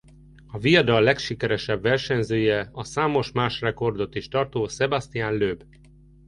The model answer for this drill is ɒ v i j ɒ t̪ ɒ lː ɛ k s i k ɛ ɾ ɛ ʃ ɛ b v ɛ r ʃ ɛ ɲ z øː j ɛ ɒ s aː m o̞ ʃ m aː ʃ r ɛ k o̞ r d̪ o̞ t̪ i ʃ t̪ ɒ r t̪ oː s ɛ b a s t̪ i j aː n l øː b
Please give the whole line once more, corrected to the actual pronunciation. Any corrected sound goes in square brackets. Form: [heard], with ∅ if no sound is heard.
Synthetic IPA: ɒ v i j ɒ [d̪] ɒ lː ɛ k [ʃ] i k ɛ ɾ ɛ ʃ ɛ b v ɛ r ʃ ɛ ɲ z øː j ɛ ɒ s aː m o̞ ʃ m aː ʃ r ɛ k o̞ r d̪ o̞ t̪ i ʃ t̪ ɒ r t̪ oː s ɛ b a s t̪ i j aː n l øː b